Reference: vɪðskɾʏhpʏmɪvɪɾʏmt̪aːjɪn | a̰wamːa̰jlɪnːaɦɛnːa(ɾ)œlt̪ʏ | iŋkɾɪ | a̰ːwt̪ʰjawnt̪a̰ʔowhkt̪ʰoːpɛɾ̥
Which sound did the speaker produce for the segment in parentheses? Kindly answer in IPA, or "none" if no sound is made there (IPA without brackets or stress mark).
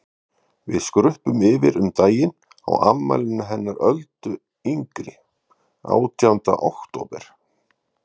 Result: ɾ